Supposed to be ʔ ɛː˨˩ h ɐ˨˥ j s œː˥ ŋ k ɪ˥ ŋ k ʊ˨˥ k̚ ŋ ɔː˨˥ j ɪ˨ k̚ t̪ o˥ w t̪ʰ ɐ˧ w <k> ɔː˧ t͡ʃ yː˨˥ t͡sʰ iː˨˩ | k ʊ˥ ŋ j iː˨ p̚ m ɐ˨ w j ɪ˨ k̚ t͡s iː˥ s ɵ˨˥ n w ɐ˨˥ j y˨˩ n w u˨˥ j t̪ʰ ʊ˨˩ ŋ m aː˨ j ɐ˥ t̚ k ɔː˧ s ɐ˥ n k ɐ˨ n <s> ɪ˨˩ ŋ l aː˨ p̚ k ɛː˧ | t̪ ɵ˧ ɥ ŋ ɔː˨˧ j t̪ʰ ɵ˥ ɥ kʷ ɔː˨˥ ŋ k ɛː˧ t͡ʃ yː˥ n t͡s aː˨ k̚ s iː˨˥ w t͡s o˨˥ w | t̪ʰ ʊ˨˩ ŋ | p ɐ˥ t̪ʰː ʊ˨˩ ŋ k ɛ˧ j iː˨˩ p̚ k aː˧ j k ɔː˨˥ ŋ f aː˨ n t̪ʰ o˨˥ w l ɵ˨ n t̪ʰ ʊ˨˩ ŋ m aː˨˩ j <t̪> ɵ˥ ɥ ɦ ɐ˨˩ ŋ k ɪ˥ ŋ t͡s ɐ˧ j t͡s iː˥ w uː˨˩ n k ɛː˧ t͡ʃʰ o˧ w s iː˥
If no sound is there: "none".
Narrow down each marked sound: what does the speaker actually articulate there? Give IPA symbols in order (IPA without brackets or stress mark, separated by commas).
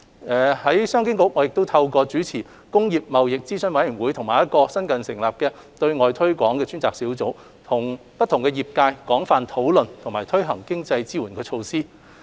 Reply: k, s, t̪ʰ